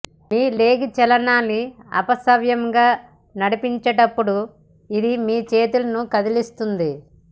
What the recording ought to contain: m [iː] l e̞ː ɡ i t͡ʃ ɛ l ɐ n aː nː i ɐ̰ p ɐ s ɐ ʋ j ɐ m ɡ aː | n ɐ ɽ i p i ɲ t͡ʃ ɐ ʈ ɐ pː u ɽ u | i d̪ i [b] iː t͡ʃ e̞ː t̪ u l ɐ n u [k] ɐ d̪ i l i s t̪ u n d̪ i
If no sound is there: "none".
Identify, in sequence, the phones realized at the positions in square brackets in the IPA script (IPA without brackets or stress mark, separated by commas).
iː, m, k